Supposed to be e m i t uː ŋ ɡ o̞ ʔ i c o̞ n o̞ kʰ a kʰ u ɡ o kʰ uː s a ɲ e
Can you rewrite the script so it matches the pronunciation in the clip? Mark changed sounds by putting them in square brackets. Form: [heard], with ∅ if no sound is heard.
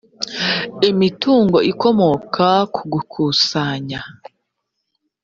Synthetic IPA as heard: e m i t uː ŋ ɡ o̞ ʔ i [k] o̞ [m] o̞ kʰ a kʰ u ɡ [u] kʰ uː s a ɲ [a]